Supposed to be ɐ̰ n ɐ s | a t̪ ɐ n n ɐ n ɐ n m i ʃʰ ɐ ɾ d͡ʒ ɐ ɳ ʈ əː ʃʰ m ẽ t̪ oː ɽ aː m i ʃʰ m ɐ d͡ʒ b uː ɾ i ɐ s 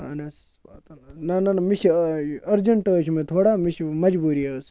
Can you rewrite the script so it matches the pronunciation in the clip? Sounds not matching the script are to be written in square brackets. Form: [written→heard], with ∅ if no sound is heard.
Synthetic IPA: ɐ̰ n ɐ s | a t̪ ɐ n n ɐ n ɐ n m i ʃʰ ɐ ɾ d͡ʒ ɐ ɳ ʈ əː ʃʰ m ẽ [t̪→t̪ʰ] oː ɽ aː m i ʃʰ m ɐ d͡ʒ b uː ɾ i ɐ s